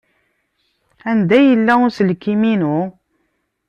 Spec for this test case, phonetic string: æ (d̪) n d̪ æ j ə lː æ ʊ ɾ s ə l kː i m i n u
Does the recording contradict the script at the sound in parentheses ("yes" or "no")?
yes